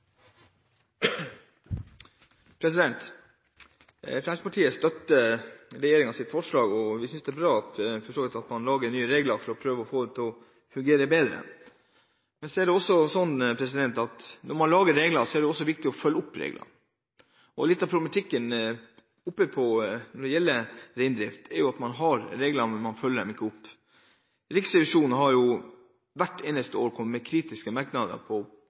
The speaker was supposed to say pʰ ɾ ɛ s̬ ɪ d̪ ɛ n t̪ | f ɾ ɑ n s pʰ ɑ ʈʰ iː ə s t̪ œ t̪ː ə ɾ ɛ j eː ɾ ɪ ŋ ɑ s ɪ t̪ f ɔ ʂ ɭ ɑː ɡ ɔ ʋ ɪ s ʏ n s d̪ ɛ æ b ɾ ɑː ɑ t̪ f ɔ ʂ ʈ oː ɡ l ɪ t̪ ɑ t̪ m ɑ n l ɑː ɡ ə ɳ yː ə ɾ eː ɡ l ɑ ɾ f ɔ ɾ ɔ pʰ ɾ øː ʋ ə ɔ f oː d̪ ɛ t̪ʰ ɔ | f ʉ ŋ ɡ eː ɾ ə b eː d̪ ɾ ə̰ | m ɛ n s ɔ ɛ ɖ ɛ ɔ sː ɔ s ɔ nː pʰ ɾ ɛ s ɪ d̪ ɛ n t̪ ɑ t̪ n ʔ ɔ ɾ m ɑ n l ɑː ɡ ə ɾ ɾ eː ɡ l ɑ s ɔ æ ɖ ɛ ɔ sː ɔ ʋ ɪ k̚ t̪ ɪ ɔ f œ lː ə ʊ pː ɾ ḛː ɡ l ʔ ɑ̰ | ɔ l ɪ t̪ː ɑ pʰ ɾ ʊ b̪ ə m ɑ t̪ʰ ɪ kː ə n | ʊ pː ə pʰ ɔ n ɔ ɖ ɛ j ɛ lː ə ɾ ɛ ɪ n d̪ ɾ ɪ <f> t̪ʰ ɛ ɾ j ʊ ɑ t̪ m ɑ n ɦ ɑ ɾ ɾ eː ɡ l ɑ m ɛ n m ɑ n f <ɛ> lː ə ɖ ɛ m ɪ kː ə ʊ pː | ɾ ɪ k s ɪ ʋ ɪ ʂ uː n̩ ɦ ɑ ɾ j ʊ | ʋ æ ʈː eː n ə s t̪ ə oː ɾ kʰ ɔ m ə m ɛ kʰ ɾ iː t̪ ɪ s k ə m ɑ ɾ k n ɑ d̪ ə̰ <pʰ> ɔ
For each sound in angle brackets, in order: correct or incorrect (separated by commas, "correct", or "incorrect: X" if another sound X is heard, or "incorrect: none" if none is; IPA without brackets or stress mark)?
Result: correct, incorrect: œ, correct